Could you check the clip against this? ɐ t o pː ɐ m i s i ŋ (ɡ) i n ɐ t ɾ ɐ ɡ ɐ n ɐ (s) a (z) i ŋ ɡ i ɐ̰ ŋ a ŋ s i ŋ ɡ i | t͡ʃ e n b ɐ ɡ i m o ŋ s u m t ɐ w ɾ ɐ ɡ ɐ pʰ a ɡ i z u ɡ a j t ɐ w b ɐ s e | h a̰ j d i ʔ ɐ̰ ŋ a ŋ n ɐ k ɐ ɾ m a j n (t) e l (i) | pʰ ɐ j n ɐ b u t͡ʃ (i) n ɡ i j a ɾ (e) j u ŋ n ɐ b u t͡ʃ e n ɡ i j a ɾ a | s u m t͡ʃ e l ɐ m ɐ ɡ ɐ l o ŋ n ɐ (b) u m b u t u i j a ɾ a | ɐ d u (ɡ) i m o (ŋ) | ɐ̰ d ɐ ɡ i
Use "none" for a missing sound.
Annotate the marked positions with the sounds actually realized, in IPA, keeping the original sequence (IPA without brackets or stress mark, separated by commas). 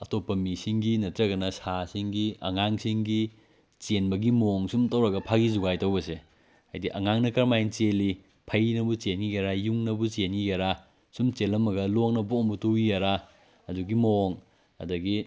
ɡ, s, s, t͡ʃ, i, e, a, b, ɡ, ŋ